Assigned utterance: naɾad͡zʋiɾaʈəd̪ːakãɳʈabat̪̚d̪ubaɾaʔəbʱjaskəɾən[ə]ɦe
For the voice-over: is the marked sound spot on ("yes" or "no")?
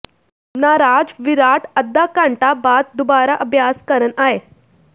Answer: no